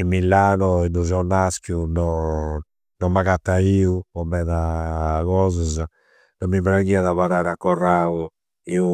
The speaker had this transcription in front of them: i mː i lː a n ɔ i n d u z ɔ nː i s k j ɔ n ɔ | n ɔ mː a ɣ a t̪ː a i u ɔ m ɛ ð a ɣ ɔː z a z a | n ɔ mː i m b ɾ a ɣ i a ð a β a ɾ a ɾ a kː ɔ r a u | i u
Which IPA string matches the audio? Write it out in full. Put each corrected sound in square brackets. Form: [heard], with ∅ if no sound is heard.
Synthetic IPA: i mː i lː a n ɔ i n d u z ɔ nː [a] s k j [u] n ɔ | n ɔ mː a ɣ a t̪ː a i u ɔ m ɛ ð a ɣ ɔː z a z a | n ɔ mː i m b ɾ a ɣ i a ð a β a ɾ a ɾ a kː ɔ r a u | i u